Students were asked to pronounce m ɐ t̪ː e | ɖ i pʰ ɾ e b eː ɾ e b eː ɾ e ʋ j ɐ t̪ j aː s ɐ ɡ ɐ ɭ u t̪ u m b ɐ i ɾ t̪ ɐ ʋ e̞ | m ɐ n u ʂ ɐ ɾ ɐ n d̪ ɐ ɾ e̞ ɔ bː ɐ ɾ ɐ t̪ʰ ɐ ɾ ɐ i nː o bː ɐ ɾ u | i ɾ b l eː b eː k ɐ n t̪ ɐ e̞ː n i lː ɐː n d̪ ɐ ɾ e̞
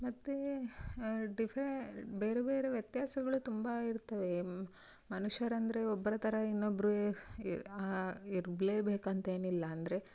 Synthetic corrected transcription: m ɐ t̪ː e | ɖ i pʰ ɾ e b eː ɾ e b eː ɾ e ʋ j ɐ t̪ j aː s ɐ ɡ ɐ ɭ u t̪ u m b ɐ i ɾ t̪ ɐ ʋ e̞ | m ɐ n u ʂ ɐ ɾ ɐ n d̪ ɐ ɾ e̞ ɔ bː ɐ ɾ ɐ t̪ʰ ɐ ɾ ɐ i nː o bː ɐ ɾ u | i ɾ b l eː b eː k ɐ n t̪ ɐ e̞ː n i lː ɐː n d̪ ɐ ɾ e̞